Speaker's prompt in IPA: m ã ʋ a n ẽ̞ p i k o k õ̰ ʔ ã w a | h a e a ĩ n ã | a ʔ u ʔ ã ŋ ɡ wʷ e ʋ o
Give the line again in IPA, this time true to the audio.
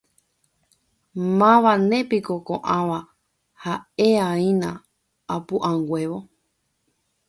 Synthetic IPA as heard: m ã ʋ a n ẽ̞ p i k o k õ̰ ʔ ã ʋ a | h a e a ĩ n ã | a p u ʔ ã ŋ ɡ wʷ e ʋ o